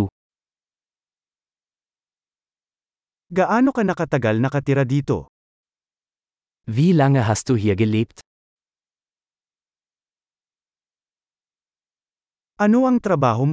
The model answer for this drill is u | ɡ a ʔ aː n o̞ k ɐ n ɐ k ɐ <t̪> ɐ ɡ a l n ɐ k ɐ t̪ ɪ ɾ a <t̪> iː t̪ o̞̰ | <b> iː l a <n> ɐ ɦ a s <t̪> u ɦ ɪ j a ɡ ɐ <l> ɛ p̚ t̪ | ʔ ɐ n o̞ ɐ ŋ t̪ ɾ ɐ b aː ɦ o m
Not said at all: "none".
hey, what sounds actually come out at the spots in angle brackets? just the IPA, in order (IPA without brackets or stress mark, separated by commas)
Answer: t̪, d̪, v, ŋ, t̪, l